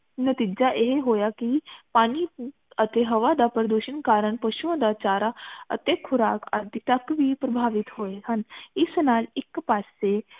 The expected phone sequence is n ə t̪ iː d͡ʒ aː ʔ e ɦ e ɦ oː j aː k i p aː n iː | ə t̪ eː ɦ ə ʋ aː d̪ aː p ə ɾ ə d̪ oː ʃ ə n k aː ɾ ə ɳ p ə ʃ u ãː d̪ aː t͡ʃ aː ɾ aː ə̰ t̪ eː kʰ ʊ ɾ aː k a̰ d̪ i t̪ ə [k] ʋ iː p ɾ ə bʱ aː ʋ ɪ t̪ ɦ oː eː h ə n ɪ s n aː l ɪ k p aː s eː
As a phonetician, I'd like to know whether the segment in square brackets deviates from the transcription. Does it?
no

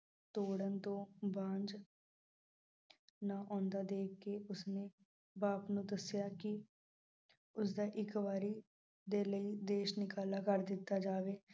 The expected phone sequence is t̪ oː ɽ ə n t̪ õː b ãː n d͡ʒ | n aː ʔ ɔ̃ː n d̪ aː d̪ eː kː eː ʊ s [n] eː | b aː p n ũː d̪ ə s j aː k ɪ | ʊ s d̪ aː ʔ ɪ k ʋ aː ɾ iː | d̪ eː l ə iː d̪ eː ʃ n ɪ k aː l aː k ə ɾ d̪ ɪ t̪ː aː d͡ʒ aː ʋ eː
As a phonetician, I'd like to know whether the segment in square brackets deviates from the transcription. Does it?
no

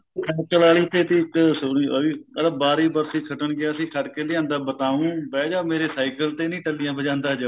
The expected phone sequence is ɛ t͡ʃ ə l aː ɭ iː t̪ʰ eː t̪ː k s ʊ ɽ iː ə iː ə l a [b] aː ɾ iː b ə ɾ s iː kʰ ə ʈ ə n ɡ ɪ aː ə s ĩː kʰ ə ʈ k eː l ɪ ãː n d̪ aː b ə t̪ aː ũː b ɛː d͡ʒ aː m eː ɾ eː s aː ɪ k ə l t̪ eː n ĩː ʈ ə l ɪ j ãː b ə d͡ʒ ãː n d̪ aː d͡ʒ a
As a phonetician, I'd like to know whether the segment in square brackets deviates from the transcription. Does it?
no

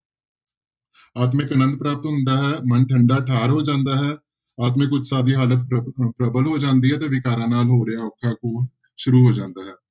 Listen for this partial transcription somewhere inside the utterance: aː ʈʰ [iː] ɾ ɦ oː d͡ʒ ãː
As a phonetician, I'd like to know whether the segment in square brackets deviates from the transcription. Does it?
yes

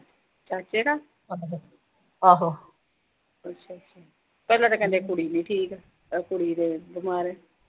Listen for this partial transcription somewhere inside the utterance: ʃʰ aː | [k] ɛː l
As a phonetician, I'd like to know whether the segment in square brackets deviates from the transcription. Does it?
yes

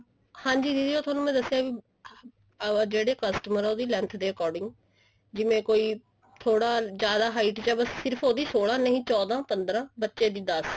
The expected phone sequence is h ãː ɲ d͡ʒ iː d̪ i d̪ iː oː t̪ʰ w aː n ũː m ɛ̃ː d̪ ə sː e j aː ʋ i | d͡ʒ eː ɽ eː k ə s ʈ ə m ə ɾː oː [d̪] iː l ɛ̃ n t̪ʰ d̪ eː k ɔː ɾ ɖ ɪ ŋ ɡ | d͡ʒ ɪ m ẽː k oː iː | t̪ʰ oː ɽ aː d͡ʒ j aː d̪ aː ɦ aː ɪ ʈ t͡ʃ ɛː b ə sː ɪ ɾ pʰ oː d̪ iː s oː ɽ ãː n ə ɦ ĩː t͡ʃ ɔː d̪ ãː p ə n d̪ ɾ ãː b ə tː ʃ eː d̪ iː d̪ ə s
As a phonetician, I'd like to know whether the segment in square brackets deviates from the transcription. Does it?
no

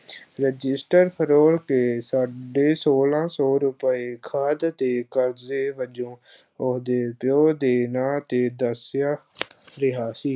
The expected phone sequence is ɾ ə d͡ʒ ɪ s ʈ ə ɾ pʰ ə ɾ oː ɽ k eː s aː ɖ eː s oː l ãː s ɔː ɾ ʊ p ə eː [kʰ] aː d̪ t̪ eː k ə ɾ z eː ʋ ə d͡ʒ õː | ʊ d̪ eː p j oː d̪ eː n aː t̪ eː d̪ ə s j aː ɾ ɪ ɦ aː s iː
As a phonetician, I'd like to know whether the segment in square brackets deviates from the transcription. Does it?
no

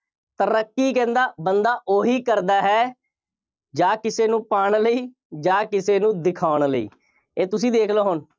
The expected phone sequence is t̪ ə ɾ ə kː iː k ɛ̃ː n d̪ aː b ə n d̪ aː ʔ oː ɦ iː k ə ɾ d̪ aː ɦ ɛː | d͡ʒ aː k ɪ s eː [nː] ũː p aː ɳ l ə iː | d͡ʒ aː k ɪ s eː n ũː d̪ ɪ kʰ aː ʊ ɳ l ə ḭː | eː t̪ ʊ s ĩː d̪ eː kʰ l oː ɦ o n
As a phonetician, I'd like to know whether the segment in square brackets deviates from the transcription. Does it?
yes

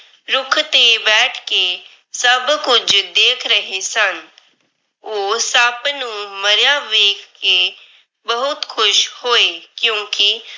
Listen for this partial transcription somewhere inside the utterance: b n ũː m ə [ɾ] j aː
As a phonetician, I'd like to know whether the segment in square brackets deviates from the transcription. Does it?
no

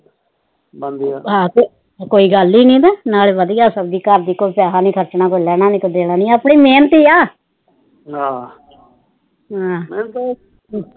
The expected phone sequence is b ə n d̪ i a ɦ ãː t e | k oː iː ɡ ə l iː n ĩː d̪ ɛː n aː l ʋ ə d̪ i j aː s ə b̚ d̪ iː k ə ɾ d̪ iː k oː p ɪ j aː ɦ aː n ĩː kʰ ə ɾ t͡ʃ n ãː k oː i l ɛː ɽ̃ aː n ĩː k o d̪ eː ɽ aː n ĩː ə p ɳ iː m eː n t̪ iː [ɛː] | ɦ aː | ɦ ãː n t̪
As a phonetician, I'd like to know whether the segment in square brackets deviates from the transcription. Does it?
yes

